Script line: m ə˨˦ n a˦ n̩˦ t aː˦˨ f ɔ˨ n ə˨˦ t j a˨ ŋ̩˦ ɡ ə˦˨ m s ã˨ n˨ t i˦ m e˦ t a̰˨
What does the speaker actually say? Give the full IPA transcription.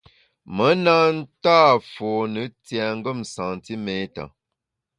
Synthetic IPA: m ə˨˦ n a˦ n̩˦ t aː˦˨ f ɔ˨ n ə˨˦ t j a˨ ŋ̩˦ ɡ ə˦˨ m s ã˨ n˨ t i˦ m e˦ t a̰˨